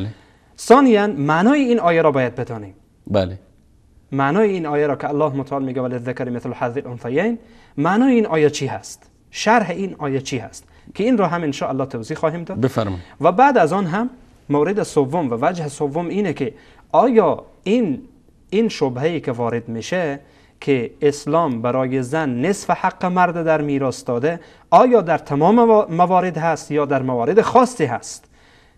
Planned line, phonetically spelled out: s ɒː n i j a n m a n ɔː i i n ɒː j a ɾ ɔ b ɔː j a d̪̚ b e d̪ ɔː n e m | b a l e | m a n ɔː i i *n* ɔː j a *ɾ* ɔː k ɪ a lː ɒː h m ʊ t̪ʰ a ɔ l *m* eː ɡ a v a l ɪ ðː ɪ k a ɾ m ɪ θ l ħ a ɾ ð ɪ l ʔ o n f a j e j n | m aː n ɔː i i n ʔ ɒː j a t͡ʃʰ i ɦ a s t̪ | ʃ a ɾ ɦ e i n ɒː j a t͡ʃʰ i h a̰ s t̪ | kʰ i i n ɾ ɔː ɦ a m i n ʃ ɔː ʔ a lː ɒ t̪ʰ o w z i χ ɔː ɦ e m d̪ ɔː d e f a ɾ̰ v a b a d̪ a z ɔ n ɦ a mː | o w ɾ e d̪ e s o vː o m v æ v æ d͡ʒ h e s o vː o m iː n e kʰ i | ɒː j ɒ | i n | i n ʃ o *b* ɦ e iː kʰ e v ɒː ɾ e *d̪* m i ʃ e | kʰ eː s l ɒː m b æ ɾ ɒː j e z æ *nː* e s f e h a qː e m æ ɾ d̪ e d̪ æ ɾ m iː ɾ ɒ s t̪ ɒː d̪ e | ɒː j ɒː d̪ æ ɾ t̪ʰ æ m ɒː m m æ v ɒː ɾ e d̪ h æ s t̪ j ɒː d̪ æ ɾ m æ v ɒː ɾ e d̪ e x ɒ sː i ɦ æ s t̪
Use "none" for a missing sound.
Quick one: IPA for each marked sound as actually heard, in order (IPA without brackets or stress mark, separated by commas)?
n, ɾ, m, b, d̪, nː